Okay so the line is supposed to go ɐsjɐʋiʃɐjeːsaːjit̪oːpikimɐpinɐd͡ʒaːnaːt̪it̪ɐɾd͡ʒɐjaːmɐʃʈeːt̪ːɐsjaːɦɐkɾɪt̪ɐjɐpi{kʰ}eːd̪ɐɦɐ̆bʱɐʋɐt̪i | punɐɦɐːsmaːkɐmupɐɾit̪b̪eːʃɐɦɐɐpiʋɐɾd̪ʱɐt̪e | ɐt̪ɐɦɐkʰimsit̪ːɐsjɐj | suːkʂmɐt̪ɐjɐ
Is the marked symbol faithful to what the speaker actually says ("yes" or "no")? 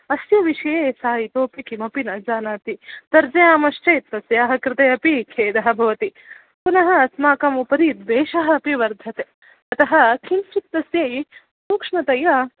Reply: yes